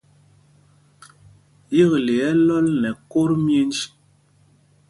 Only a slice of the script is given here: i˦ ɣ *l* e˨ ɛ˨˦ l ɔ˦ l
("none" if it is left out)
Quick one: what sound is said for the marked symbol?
l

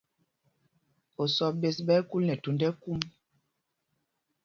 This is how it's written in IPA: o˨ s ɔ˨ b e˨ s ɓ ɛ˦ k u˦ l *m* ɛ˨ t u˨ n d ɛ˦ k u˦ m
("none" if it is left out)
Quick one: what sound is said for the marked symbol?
n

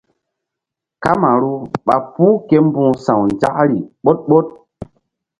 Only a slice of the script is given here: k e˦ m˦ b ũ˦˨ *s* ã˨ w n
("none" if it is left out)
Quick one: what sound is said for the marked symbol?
s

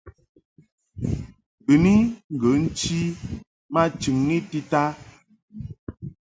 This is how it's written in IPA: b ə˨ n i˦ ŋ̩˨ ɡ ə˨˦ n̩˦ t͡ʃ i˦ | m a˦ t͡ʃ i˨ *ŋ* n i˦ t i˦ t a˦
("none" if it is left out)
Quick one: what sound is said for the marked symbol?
ŋ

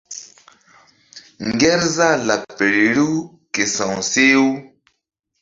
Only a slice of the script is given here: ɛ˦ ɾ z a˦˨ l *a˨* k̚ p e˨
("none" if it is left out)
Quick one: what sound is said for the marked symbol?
a˨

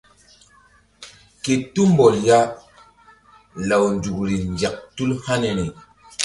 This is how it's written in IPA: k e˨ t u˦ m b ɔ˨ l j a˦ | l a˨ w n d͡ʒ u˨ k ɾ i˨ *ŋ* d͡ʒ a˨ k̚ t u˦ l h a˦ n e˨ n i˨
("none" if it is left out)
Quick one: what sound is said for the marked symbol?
n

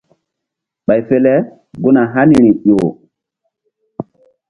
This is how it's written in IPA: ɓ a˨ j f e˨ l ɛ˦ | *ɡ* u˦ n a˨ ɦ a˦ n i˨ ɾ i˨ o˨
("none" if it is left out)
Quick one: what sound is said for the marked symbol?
ɡ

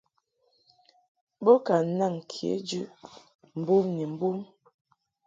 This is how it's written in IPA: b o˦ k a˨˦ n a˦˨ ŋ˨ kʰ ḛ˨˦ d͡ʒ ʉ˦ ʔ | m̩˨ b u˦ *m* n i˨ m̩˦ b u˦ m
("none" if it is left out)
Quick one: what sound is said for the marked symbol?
m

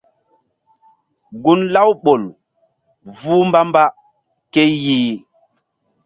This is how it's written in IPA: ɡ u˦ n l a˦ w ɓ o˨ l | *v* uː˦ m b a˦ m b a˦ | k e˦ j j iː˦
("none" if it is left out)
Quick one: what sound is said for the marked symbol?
v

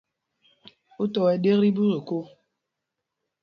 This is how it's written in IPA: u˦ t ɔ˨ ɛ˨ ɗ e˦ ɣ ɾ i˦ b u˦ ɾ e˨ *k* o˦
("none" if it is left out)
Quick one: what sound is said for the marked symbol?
k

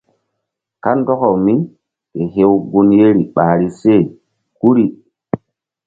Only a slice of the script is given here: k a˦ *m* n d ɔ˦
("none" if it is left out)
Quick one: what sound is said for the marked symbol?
none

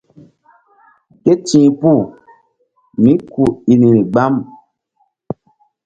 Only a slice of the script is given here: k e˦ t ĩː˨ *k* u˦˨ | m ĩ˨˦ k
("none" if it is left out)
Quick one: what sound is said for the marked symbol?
p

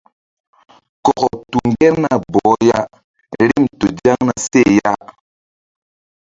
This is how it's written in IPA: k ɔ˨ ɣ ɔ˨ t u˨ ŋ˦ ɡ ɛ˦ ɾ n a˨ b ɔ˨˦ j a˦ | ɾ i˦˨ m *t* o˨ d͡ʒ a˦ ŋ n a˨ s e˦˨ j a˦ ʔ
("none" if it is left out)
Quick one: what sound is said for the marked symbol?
t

